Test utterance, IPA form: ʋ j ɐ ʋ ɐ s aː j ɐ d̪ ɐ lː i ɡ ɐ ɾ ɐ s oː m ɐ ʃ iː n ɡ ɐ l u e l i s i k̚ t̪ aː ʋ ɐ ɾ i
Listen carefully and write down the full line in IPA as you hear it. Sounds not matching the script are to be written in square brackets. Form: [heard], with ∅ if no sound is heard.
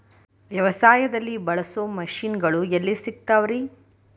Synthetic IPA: ʋ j ɐ ʋ ɐ s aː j ɐ d̪ ɐ lː i [b] ɐ [ɭ] ɐ s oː m ɐ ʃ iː n ɡ ɐ [ɭ] u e [lː] i s i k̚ t̪ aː ʋ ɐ ɾ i